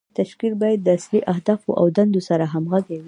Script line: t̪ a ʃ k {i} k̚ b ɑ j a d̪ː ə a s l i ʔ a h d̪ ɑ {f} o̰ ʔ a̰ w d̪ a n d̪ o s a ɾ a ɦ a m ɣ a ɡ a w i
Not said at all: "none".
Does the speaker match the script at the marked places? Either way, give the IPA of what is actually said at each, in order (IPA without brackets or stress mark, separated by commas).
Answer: i, f